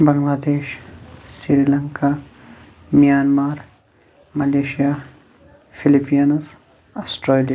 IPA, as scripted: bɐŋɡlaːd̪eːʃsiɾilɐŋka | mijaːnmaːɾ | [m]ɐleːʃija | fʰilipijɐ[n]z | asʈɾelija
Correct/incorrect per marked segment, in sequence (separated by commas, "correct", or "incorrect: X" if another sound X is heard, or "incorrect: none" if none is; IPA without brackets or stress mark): correct, correct